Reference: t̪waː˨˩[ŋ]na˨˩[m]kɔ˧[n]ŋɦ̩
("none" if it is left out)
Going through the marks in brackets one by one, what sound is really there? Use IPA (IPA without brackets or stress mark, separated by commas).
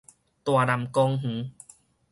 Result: none, m, none